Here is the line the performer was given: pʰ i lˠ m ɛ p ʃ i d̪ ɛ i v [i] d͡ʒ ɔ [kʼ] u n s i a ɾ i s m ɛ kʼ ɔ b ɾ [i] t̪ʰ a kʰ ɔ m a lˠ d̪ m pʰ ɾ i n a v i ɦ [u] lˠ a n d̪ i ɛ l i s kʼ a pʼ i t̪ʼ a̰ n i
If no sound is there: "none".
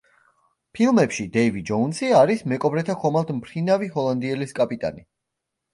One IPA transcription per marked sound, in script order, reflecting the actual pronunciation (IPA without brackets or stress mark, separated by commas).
i, none, ɛ, ɔ